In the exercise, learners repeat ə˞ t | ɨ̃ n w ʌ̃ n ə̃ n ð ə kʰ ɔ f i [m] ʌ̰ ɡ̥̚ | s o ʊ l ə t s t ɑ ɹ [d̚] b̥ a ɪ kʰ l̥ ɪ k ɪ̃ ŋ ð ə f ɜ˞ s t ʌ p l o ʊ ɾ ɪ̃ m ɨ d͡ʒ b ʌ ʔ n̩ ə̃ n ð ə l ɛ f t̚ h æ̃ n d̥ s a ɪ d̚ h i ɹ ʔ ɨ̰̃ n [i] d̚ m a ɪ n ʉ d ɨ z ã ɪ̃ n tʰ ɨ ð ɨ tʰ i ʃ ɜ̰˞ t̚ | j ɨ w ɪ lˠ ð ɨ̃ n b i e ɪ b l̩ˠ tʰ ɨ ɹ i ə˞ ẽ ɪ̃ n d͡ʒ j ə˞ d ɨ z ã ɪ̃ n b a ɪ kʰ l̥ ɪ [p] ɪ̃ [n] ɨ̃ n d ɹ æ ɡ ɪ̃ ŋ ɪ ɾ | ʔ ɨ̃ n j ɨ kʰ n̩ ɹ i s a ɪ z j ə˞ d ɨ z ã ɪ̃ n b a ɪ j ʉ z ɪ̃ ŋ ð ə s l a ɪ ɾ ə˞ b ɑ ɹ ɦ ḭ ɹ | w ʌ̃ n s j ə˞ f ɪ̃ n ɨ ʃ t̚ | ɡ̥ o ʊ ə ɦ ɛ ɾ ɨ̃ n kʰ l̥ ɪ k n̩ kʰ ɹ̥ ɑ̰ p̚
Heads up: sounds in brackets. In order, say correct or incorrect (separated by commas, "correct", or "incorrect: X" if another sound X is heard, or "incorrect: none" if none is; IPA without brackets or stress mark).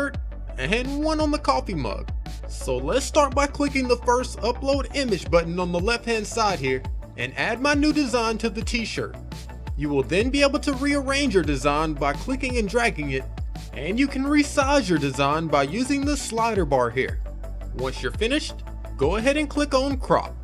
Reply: correct, incorrect: t̚, incorrect: æ, incorrect: k, incorrect: ŋ